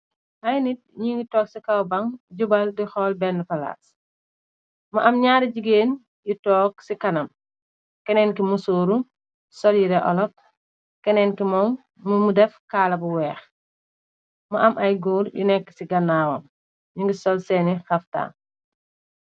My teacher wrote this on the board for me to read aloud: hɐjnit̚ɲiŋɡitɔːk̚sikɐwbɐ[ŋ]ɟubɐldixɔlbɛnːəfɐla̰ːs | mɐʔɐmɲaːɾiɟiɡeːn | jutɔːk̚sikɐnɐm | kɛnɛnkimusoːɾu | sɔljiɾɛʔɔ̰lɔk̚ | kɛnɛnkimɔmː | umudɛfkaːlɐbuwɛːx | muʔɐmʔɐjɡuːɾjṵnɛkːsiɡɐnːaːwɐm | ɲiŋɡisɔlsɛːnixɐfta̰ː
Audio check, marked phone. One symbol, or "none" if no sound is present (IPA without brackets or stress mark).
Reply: ŋ